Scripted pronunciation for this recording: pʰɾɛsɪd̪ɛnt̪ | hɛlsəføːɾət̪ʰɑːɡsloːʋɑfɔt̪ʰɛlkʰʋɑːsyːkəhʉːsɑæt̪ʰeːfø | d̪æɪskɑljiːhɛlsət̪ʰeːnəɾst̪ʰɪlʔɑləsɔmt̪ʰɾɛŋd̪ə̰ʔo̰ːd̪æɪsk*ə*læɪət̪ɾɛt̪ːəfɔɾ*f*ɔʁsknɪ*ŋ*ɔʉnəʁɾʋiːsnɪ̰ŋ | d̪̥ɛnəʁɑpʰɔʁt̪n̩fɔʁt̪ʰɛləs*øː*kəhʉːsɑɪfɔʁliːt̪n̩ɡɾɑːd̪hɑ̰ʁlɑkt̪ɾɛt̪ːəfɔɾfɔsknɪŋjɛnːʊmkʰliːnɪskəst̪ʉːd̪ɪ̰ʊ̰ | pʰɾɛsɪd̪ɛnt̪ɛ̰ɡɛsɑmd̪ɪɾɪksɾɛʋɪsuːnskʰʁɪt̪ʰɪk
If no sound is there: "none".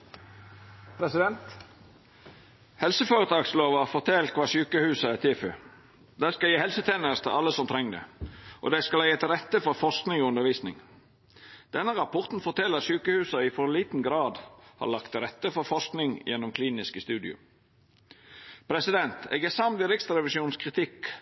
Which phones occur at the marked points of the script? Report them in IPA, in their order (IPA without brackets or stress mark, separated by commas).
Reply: ɑ, f, ŋ, yː